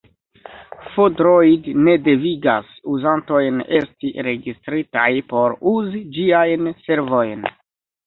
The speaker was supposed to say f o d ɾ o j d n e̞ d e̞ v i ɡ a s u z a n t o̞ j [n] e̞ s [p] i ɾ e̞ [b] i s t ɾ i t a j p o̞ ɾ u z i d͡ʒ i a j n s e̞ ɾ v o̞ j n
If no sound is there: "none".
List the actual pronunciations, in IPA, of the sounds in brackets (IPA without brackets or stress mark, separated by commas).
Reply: n, t, ɡ